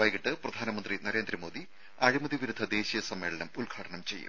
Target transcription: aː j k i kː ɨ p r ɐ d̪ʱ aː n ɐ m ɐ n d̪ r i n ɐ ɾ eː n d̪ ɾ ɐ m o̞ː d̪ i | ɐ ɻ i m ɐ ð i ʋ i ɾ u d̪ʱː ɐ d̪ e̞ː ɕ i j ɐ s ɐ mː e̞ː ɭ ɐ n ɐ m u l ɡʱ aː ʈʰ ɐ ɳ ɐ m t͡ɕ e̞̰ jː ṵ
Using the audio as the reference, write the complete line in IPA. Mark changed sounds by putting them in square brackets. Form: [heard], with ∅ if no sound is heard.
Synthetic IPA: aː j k i [ʈː] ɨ p r ɐ d̪ʱ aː n ɐ m ɐ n d̪ r i n ɐ ɾ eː n d̪ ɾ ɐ m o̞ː d̪ i | ɐ ɻ i m ɐ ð i ʋ i ɾ u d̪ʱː ɐ d̪ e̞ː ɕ i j ɐ s ɐ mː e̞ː ɭ ɐ n ɐ m u l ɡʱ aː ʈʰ ɐ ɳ ɐ m t͡ɕ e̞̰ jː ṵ